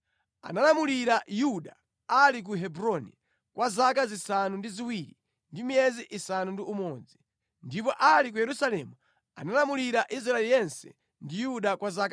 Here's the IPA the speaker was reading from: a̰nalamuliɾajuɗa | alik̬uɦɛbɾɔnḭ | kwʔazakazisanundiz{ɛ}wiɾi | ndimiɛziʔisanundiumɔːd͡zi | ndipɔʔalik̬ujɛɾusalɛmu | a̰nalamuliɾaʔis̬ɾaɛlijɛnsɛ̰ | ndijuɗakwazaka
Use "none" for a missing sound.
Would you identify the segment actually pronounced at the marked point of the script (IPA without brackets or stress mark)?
i